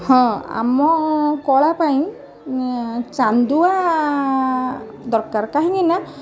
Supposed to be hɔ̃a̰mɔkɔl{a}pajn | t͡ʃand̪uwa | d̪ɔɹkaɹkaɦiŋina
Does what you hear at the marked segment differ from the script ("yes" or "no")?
no